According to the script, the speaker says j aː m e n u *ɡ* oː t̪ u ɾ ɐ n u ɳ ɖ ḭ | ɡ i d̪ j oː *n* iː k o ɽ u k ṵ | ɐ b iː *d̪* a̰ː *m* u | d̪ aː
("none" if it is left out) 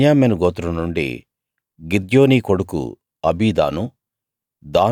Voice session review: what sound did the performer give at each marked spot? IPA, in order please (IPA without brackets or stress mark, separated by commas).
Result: ɡ, n, d̪, n